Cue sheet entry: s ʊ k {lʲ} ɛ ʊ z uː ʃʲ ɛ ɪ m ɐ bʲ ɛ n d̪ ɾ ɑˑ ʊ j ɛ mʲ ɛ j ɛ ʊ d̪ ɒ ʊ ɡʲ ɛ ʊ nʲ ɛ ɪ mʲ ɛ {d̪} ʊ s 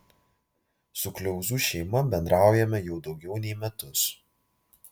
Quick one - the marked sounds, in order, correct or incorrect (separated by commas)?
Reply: correct, incorrect